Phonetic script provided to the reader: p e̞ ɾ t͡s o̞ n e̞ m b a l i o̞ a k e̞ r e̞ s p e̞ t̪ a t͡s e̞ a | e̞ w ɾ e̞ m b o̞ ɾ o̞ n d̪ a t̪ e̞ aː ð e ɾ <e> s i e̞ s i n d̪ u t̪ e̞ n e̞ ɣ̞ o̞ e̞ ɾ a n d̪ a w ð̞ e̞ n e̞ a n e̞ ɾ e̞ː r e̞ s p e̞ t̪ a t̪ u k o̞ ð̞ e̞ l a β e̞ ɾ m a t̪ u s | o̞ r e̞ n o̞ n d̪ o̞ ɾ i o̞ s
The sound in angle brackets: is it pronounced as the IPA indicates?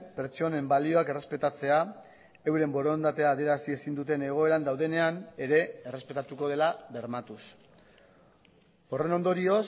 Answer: no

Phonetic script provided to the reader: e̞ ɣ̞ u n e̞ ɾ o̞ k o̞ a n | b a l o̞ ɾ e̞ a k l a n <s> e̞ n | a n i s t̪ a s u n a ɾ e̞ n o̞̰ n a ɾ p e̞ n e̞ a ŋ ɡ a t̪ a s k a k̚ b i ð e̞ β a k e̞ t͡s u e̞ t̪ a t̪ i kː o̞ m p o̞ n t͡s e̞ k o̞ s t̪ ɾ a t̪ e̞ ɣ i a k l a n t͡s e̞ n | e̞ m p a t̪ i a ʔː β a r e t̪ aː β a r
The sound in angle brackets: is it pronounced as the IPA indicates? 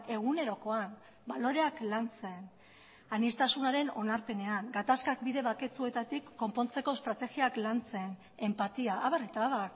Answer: no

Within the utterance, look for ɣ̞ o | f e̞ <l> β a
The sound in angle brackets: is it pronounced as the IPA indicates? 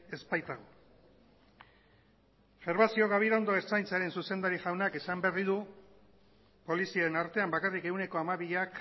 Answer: no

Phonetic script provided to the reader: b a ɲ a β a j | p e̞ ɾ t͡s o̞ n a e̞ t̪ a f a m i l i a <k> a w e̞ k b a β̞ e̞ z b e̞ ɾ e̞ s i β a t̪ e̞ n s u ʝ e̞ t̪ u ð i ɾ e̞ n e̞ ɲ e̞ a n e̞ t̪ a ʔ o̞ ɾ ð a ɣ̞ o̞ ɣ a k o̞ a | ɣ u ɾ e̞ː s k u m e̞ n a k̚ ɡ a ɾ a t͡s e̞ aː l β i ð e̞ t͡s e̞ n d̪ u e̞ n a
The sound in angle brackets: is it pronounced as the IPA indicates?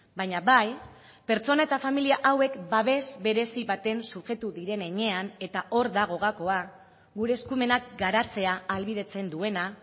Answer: no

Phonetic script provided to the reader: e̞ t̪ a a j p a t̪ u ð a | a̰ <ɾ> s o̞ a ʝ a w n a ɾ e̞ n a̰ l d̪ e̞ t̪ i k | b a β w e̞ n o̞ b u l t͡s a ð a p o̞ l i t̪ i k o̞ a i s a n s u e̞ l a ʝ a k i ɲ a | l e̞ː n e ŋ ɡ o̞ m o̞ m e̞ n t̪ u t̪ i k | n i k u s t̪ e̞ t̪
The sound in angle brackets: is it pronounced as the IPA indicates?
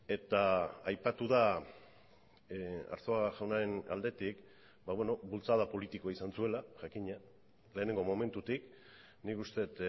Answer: yes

